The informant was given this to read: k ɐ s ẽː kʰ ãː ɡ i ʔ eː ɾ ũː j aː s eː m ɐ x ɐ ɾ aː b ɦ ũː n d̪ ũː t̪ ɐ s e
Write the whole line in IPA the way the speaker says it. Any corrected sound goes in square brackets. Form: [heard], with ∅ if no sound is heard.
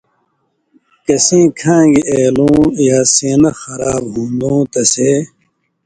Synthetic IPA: k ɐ s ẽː kʰ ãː ɡ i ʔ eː [l] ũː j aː s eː [n] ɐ x ɐ ɾ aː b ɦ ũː n d̪ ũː t̪ ɐ s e